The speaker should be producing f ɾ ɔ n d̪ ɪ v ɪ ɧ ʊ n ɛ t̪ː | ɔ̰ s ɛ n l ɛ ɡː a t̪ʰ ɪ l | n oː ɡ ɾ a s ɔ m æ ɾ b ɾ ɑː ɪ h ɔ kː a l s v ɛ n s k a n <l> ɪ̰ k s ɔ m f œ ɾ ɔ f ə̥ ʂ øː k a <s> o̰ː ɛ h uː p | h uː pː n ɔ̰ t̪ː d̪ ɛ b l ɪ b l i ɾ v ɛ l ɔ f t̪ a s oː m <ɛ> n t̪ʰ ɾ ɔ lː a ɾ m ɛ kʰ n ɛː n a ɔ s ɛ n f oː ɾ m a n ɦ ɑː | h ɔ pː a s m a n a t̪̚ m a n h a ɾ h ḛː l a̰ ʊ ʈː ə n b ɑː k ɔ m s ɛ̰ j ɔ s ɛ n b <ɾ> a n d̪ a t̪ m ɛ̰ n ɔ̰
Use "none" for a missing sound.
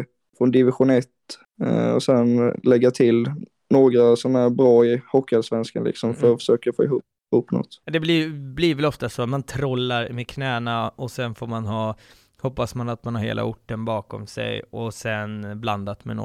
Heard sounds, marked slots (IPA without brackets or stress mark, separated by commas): l, f, a, l